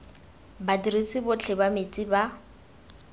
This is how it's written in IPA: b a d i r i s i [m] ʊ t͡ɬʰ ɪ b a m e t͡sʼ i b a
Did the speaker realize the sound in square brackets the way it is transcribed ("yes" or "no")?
no